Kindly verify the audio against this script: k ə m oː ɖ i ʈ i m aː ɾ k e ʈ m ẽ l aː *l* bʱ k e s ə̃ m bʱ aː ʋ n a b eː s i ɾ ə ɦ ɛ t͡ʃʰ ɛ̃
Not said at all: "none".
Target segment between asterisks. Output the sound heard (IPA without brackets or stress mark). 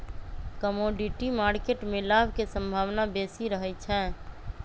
none